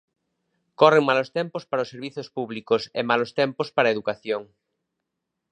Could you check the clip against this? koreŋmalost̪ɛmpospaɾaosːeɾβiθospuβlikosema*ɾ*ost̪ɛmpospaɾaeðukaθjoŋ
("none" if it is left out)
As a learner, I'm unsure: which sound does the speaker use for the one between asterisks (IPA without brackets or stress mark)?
l